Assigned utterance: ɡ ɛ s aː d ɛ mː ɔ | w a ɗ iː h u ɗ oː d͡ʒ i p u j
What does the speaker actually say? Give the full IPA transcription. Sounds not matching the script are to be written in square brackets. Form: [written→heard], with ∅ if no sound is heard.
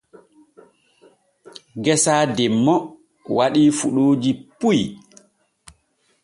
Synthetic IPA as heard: ɡ ɛ s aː d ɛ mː ɔ | w a ɗ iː [h→f] u ɗ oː d͡ʒ i p u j